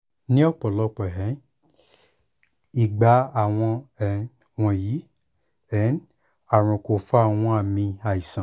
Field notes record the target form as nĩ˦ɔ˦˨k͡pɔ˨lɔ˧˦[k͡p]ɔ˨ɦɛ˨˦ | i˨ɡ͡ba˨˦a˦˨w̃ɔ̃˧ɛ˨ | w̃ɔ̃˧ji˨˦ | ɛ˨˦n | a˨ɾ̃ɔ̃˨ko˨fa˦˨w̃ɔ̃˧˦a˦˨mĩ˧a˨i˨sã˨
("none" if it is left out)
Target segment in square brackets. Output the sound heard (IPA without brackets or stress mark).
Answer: k͡p